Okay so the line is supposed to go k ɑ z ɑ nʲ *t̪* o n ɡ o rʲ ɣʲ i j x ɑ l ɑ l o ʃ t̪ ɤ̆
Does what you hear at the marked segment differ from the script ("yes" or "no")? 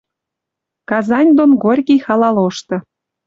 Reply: yes